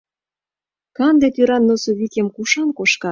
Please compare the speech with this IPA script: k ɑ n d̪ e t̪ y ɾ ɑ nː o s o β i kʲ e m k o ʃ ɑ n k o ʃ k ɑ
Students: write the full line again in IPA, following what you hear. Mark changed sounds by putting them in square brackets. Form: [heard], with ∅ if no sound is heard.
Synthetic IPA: k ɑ n d̪ e t̪ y ɾ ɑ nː o s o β i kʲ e m k [u] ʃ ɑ n k o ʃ k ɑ